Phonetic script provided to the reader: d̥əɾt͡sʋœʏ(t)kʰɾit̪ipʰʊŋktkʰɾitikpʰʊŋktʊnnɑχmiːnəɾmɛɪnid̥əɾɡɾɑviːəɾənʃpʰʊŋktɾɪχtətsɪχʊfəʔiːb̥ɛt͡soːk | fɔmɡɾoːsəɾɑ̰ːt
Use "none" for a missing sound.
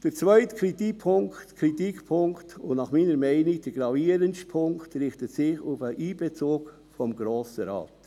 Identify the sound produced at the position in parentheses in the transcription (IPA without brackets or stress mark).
t